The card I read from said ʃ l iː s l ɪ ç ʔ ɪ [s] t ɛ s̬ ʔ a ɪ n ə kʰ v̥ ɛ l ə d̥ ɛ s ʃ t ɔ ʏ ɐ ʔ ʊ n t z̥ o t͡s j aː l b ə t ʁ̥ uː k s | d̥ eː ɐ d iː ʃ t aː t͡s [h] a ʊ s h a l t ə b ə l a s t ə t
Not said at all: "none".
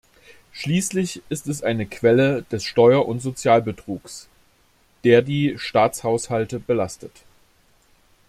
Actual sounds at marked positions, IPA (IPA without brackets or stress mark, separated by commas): s, h